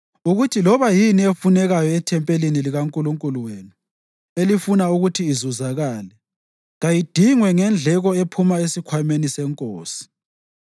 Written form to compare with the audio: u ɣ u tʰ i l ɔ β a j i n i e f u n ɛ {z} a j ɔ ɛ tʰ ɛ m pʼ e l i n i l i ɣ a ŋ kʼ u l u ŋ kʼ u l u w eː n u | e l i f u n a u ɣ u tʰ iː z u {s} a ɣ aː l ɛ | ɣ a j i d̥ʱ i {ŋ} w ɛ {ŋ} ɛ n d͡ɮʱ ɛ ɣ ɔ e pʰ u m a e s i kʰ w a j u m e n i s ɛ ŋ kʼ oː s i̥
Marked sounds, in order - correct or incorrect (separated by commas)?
incorrect, incorrect, correct, correct